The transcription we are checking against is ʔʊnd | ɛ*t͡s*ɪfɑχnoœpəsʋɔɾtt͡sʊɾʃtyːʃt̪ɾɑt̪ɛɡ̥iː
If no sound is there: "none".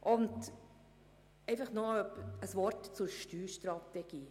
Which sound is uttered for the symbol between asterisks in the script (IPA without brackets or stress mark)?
none